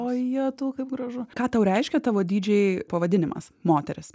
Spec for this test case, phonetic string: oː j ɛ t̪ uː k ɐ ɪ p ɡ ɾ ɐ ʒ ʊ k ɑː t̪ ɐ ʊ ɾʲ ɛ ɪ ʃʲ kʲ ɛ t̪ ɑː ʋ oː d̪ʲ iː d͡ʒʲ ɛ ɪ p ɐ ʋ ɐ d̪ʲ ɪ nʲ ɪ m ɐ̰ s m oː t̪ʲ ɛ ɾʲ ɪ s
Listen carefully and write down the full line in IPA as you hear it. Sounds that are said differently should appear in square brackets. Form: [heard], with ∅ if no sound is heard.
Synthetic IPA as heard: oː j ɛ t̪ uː k ɐ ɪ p ɡ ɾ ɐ ʒ ʊ k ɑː t̪ ɐ ʊ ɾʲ ɛ ɪ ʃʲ kʲ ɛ t̪ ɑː ʋ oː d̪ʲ iː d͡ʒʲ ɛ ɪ p ɐ ʋ ɐ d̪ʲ ɪ nʲ ɪ m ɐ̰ s m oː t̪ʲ ɛ ɾʲ ɪ s